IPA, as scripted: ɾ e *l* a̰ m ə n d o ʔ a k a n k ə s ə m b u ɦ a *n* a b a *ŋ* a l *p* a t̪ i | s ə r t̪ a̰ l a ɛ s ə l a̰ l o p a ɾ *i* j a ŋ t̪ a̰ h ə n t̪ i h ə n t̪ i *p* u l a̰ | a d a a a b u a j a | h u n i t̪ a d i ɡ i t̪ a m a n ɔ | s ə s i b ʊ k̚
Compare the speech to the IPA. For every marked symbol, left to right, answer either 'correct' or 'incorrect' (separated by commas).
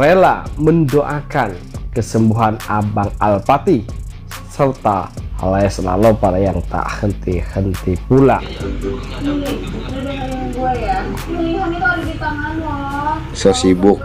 correct, correct, correct, correct, incorrect, correct